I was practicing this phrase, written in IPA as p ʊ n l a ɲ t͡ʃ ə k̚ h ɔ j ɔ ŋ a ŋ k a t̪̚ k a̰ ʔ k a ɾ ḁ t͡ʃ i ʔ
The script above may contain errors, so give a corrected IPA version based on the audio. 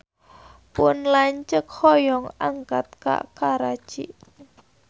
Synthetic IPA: p ʊ n l a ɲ t͡ʃ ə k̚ h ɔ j ɔ ŋ a ŋ k a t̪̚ k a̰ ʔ k a ɾ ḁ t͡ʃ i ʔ